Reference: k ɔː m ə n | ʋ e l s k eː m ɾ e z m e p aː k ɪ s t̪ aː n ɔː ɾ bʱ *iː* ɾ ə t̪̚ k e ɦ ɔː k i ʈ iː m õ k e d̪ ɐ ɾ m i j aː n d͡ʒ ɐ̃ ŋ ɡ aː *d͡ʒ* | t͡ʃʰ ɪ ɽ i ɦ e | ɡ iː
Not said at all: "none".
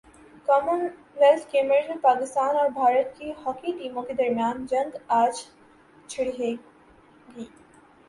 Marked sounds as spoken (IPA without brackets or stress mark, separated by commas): aː, d͡ʒ